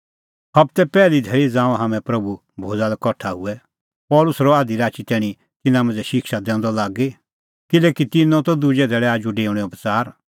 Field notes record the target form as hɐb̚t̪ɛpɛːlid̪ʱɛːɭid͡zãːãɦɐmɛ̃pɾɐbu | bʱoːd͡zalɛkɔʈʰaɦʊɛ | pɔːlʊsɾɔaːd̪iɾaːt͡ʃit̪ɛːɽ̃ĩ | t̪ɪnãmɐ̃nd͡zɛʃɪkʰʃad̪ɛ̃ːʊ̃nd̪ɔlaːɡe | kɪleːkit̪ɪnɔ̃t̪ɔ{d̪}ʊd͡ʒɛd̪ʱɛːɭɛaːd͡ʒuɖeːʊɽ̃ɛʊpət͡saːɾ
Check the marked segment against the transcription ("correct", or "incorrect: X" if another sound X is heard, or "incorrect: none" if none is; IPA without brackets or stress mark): correct